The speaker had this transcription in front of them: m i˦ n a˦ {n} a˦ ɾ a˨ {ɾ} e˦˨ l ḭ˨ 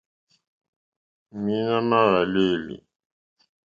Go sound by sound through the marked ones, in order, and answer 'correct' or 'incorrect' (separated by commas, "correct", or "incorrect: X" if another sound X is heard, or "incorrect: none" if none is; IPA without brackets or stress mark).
correct, incorrect: l